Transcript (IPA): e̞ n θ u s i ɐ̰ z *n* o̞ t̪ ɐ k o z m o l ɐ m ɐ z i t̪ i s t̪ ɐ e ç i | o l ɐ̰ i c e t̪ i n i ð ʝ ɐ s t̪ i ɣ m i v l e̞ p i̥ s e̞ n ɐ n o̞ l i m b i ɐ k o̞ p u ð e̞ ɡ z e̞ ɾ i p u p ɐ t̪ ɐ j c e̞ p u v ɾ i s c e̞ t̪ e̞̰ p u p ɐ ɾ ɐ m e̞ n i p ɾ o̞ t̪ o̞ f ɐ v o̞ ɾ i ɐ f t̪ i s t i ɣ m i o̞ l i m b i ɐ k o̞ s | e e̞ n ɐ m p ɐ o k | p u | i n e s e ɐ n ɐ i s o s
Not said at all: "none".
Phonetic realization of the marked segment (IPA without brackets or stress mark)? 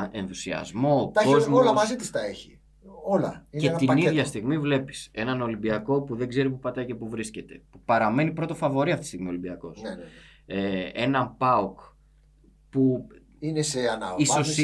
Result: m